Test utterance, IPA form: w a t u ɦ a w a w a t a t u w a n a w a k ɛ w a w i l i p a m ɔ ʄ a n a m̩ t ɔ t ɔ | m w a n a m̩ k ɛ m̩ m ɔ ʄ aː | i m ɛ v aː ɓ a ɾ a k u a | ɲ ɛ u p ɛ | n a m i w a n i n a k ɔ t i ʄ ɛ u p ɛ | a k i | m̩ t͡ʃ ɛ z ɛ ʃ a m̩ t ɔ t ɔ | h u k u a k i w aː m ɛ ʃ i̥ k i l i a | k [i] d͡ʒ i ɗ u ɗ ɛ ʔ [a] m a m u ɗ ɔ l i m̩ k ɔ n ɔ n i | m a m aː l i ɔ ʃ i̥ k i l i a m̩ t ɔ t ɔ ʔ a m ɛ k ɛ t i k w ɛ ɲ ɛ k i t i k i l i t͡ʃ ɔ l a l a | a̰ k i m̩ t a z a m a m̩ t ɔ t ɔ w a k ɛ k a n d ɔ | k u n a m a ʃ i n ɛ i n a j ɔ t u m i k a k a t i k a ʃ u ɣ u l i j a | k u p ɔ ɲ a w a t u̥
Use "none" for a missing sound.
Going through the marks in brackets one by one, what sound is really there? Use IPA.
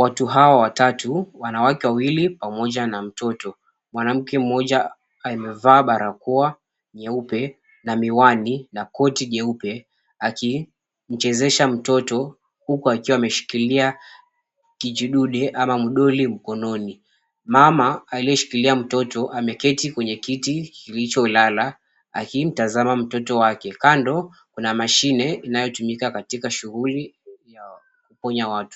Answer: i, a

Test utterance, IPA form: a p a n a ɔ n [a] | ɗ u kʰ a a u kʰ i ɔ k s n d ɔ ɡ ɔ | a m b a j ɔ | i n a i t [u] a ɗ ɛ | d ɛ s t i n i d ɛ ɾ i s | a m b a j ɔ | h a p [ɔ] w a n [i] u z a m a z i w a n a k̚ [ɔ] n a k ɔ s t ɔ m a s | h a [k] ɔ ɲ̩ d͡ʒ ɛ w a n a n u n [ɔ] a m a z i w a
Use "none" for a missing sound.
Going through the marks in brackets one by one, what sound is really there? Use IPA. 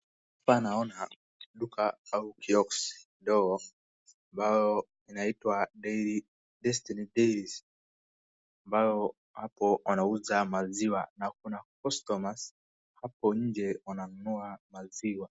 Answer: a, w, ɔ, a, u, p, u

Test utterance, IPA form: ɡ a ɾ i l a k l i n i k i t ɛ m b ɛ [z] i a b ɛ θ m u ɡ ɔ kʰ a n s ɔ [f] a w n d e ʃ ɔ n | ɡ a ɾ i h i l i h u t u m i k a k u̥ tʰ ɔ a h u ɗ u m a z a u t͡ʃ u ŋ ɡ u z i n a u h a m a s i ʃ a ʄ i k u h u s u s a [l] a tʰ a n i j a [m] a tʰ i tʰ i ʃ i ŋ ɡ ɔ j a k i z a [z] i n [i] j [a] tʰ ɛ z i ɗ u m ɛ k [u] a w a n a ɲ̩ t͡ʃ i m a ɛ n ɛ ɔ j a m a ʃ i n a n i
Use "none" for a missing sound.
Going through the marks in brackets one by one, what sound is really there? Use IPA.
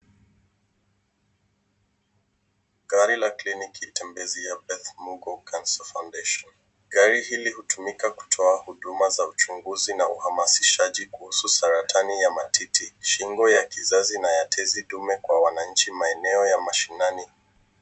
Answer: z, f, ɾ, m, z, a, a, w

